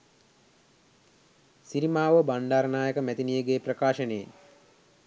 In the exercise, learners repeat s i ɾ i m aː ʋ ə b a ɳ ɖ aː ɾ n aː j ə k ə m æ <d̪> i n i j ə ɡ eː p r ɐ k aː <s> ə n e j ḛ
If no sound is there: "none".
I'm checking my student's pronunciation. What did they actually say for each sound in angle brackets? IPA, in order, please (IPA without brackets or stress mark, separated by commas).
t̪, ʃ